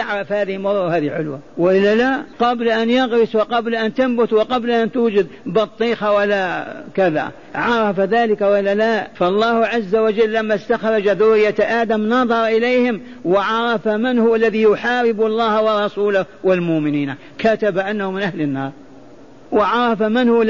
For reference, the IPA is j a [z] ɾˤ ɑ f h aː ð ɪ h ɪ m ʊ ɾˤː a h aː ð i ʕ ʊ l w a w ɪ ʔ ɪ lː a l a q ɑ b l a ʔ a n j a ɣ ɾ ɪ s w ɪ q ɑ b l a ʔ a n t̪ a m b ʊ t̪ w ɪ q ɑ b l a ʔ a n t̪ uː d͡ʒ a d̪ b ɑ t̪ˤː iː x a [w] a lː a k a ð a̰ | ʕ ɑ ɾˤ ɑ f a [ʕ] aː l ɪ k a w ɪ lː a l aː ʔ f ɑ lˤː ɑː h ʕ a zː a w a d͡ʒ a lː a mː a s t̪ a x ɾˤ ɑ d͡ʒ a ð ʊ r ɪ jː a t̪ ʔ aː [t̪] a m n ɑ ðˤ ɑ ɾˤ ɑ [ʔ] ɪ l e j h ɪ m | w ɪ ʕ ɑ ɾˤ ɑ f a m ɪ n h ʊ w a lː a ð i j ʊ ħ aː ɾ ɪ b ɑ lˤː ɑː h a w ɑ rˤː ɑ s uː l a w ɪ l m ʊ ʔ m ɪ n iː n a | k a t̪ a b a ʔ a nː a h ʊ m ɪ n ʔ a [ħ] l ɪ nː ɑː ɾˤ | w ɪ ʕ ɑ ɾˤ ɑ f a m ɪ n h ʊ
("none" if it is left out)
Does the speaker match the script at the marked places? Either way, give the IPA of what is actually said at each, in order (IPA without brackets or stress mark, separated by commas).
ʕ, w, ð, d̪, ʔ, h